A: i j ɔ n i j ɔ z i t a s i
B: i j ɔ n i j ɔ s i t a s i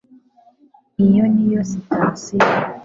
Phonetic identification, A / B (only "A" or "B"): B